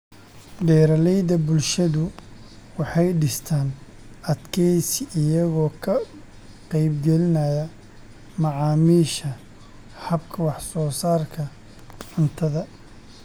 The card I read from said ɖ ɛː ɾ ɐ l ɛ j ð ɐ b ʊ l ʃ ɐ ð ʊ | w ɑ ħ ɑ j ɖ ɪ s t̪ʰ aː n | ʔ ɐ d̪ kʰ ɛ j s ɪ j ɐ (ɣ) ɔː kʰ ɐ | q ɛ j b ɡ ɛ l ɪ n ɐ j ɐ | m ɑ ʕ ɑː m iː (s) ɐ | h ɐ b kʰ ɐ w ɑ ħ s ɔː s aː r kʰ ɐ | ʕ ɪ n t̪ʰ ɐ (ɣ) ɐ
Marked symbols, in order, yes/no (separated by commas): yes, no, no